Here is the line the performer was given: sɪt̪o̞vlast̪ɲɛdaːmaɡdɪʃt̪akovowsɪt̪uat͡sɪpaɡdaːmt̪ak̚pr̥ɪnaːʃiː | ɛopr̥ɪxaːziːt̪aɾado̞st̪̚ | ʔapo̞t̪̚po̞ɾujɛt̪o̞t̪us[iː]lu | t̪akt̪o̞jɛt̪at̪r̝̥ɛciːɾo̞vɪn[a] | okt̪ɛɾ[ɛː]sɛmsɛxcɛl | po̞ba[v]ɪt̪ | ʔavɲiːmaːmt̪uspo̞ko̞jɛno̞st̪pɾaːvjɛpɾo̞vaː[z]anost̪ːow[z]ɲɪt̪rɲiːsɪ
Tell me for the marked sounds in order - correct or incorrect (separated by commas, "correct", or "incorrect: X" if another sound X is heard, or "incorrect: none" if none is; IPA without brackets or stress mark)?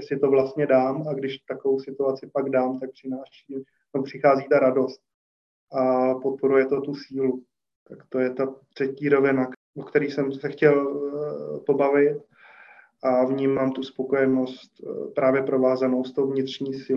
correct, correct, incorrect: iː, correct, correct, incorrect: v